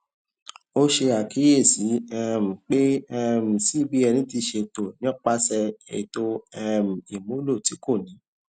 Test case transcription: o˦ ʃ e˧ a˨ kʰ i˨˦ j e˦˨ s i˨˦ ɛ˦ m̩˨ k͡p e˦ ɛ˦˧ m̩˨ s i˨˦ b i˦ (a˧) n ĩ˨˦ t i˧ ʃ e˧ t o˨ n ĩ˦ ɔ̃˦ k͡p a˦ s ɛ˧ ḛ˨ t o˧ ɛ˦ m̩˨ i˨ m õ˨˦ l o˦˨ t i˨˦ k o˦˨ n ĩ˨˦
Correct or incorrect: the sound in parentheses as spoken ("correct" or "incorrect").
incorrect